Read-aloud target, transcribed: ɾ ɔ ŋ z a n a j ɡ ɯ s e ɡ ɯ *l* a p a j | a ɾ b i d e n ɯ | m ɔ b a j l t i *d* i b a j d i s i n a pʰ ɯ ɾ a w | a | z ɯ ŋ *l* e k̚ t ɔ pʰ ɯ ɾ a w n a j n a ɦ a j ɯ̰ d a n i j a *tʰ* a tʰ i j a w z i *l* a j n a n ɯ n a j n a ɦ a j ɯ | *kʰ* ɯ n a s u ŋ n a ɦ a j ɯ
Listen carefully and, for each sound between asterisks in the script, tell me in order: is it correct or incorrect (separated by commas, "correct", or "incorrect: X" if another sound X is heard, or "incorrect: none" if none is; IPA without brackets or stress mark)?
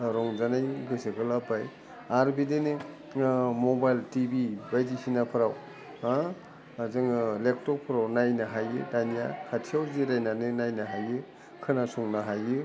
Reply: correct, incorrect: b, correct, incorrect: kʰ, incorrect: ɾ, correct